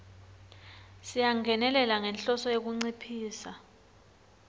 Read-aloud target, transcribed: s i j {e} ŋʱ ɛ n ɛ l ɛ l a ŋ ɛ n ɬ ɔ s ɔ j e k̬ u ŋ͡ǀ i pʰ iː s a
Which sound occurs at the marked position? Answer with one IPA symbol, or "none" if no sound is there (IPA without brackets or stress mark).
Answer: a